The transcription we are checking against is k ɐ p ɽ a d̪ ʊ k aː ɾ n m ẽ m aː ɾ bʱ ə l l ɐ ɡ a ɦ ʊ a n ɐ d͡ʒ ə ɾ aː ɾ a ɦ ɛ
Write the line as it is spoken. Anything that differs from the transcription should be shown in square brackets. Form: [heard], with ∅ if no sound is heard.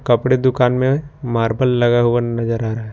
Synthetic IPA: k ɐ p ɽ [e] d̪ ʊ k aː [∅] n m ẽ m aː ɾ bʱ ə l l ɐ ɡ a ɦ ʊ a n ɐ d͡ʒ ə ɾ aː ɾ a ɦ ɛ